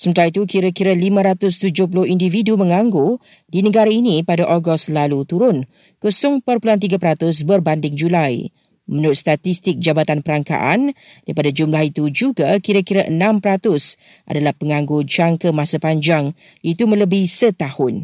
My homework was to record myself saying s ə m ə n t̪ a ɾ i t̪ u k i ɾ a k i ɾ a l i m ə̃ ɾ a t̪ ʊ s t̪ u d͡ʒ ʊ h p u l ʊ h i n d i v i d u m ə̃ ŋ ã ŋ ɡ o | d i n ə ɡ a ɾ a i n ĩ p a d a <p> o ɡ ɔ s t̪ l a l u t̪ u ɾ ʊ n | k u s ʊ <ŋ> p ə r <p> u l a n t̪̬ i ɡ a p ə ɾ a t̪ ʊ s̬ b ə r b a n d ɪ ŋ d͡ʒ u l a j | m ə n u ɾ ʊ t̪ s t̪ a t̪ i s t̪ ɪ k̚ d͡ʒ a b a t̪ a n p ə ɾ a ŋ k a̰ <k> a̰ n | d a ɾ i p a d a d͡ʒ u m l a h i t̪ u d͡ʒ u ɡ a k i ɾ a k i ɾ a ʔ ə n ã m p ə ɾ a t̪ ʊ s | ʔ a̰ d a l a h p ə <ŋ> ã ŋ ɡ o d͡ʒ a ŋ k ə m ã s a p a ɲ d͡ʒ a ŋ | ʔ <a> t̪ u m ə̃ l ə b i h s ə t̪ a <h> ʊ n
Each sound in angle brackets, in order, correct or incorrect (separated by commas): incorrect, correct, correct, incorrect, correct, incorrect, correct